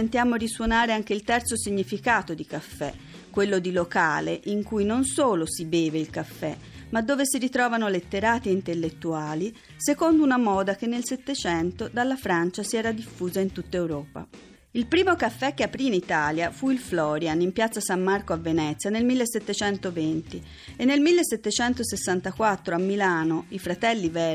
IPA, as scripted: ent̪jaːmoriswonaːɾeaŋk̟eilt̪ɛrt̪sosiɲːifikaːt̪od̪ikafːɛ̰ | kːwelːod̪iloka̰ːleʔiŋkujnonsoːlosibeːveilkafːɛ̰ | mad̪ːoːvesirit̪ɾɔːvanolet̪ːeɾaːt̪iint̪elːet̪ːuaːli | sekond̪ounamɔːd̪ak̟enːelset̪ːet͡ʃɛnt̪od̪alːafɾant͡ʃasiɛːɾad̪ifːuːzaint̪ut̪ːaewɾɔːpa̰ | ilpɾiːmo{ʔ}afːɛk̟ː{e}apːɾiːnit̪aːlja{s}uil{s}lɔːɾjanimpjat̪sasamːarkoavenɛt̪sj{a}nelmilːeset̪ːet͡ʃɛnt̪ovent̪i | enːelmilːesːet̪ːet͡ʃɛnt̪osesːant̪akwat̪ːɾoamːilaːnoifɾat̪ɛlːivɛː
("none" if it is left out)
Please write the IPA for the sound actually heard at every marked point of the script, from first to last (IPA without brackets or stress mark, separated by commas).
k, e, f, f, a